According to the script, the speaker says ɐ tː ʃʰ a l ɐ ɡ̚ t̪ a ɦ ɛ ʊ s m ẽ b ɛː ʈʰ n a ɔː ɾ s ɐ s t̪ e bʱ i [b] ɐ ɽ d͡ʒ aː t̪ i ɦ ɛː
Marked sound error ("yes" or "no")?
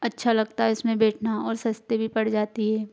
yes